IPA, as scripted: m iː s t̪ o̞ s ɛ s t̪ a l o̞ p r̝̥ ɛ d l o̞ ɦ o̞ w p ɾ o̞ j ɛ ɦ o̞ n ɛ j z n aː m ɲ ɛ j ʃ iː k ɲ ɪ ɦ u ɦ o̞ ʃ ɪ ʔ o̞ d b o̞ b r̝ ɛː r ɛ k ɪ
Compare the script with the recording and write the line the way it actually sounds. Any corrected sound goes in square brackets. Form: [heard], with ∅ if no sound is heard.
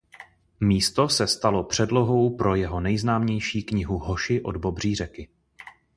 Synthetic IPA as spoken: m iː s t̪ o̞ s ɛ s t̪ a l o̞ p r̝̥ ɛ d l o̞ ɦ o̞ w p ɾ o̞ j ɛ ɦ o̞ n ɛ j z n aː m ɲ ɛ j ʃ iː k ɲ ɪ ɦ u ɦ o̞ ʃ ɪ ʔ o̞ d b o̞ b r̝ [iː] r ɛ k ɪ